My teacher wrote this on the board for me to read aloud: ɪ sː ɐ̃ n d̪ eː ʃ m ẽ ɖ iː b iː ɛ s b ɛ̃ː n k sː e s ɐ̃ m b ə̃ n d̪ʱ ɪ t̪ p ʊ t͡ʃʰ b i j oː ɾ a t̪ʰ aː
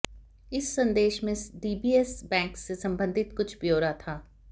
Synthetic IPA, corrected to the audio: ɪ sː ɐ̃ n d̪ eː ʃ m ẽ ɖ iː b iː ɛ s b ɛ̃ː ŋ k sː e s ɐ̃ m b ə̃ n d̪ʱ ɪ t̪ k ʊ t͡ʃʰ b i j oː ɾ a t̪ʰ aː